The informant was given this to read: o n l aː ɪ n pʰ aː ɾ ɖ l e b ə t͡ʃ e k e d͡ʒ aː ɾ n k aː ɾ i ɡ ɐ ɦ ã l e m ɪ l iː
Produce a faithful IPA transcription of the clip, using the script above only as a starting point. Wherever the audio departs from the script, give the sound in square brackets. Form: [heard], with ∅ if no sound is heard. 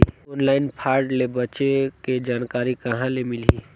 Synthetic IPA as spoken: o n l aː ɪ n pʰ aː ɾ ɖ l e b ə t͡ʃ e k e d͡ʒ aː [∅] n k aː ɾ i [k] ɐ ɦ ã l e m ɪ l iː